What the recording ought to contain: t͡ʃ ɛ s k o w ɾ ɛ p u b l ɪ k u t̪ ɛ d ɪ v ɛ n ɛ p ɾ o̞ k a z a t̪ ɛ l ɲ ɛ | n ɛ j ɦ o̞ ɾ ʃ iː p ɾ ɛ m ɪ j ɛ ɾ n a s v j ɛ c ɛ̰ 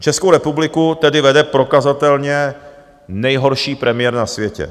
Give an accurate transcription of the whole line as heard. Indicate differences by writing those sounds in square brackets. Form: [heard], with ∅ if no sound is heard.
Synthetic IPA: t͡ʃ ɛ s k o w ɾ ɛ p u b l ɪ k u t̪ ɛ d ɪ v ɛ [d] ɛ p ɾ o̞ k a z a t̪ ɛ l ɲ ɛ | n ɛ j ɦ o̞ ɾ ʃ iː p ɾ ɛ m ɪ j ɛ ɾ n a s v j ɛ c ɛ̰